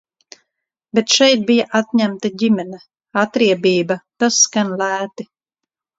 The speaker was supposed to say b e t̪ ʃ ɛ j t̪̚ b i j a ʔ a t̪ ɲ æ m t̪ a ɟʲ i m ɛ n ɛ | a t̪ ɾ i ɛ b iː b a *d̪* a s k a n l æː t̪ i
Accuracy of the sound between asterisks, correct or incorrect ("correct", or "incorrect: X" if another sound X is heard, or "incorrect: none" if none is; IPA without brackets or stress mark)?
incorrect: t̪